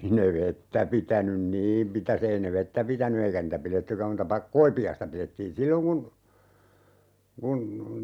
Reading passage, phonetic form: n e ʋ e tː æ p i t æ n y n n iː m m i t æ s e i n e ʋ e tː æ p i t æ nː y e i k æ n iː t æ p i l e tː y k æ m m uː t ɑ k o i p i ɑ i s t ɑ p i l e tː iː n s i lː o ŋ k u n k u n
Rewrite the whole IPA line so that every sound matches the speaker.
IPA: n e ʋ e tː æ p i t æ n y n n iː m m i t æ s e i n e ʋ e tː æ p i t æ n y e i k æ n iː t æ p i l e tː y k æ m m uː t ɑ k o i p i ɑ i s t ɑ p i l e tː iː n s i lː o ŋ k u n k u n